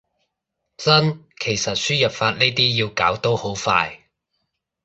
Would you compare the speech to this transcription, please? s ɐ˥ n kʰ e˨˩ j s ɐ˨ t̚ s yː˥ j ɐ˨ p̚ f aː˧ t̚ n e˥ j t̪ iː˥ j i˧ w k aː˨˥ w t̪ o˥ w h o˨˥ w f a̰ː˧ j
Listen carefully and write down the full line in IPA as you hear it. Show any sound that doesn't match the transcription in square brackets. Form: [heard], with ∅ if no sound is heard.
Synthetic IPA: [t͡s] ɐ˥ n kʰ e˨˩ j s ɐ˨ t̚ s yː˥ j ɐ˨ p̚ f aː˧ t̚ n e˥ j t̪ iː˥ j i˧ w k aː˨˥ w t̪ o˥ w h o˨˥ w f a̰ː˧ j